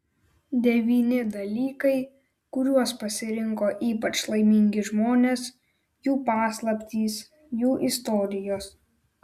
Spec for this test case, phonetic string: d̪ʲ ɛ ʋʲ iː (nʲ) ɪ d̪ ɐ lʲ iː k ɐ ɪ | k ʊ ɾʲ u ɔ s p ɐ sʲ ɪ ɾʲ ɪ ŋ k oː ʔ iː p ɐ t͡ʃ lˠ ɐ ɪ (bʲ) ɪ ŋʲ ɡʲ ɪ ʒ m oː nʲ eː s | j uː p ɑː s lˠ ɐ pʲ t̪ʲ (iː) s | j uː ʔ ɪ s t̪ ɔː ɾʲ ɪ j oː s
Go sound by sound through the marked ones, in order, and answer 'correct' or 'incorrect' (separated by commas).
correct, incorrect, correct